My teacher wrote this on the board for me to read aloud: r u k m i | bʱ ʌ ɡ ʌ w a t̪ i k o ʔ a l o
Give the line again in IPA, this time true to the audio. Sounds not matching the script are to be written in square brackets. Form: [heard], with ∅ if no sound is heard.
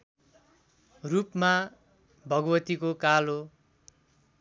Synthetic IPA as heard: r u [p] m [a] | bʱ ʌ ɡ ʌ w [ʌ] t̪ i k o [k] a l o